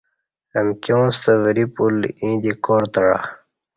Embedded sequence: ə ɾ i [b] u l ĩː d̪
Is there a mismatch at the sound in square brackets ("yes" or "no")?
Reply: yes